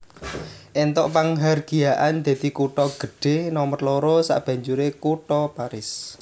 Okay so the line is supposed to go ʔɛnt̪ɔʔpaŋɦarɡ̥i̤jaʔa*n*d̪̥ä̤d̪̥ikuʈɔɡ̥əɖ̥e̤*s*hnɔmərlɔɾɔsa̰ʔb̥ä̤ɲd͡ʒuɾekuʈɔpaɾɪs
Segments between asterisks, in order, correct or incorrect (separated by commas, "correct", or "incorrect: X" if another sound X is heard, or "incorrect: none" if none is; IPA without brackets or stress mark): correct, incorrect: none